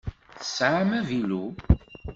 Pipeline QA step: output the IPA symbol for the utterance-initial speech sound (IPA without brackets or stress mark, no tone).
θ